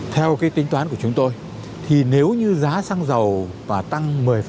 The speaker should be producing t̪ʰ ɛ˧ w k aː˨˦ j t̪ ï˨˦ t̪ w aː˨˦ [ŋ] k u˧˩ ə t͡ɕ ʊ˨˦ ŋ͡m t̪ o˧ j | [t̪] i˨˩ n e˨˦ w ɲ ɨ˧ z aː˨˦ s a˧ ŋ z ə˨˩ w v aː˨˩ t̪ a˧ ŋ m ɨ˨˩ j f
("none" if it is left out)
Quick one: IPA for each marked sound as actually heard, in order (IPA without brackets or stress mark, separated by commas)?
n, t̪ʰ